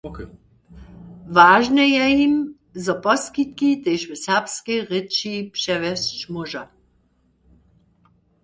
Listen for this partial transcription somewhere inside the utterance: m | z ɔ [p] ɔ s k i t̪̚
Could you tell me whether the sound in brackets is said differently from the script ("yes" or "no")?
no